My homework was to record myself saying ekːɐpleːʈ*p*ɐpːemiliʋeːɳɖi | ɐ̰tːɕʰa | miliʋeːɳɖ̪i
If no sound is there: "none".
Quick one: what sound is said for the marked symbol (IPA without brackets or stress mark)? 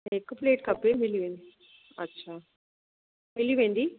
k